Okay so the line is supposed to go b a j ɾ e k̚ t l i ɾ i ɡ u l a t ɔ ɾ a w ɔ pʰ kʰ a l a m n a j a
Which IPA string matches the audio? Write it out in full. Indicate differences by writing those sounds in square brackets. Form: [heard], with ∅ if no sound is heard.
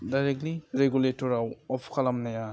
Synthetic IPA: [d] a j ɾ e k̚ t l i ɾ [e] ɡ u l [e] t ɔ ɾ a w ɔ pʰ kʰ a l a m n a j a